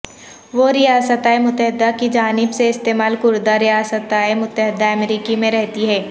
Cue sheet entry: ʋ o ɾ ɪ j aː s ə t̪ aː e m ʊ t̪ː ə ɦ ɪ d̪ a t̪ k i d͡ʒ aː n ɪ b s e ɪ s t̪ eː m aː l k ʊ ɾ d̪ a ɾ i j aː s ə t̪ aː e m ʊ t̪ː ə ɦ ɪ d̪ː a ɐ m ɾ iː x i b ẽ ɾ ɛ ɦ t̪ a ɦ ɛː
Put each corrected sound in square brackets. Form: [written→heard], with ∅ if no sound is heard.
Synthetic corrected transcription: ʋ o ɾ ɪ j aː s ə t̪ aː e m ʊ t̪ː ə ɦ ɪ d̪ a [t̪→∅] k i d͡ʒ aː n ɪ b s e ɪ s t̪ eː m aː l k ʊ ɾ d̪ a ɾ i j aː s ə t̪ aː e m ʊ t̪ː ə ɦ ɪ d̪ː a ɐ m ɾ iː [x→k] i [b→m] ẽ ɾ ɛ ɦ t̪ [a→i] ɦ ɛː